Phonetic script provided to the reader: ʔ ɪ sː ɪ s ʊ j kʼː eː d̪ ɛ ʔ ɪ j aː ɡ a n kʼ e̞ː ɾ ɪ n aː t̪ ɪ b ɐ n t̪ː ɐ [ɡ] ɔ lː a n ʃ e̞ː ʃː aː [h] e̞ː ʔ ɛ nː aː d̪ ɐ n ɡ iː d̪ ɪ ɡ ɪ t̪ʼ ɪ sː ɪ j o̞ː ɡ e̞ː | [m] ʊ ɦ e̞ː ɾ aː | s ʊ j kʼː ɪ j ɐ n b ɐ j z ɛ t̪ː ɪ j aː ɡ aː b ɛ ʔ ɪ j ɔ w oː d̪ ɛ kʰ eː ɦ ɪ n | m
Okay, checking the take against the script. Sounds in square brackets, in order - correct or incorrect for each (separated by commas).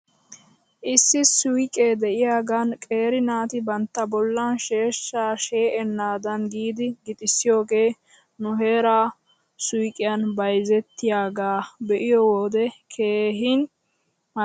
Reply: incorrect, incorrect, incorrect